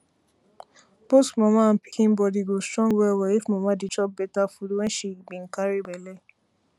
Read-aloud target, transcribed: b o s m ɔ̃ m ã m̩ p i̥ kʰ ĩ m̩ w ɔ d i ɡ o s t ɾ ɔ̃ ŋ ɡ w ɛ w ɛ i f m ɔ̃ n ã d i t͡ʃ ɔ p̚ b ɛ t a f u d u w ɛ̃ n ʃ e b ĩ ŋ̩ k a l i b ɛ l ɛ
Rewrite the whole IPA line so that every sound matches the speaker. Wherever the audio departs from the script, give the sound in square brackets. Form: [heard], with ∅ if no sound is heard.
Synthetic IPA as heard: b o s m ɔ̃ m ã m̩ p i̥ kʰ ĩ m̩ [b] ɔ d i ɡ o s t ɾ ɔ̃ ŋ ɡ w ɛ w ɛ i f m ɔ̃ [m] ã d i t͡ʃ ɔ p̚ b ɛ t a f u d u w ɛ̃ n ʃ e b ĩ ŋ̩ k a [ɾ] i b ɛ l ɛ